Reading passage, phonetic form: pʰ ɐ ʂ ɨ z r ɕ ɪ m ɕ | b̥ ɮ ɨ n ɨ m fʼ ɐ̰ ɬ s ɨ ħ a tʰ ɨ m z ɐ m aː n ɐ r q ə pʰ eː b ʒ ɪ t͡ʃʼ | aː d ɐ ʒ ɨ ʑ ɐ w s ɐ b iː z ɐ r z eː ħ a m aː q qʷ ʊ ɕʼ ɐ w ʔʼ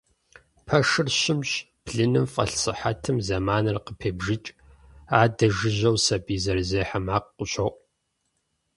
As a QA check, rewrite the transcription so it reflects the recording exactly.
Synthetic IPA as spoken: pʰ ɐ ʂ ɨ r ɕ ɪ m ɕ | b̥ ɮ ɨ n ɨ m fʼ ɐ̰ ɬ s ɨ ħ a tʰ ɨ m z ɐ m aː n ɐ r q ə pʰ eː b ʒ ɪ t͡ʃʼ | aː d ɐ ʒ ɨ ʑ ɐ w s ɐ b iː z ɐ r z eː ħ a m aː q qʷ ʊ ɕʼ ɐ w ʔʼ